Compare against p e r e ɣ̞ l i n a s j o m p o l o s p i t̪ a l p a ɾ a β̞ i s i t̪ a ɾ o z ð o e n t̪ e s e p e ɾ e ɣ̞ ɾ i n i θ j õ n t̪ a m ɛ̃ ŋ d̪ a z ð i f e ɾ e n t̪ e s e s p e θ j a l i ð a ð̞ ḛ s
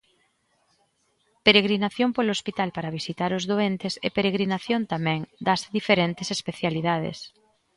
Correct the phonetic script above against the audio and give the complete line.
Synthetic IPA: p e ɾ e ɣ̞ ɾ i n a θ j o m p o l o s p i t̪ a l p a ɾ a β̞ i s i t̪ a ɾ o z ð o e n t̪ e s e p e ɾ e ɣ̞ ɾ i n a θ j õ n t̪ a m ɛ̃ ŋ d̪ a z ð i f e ɾ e n t̪ e s e s p e θ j a l i ð a ð̞ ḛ s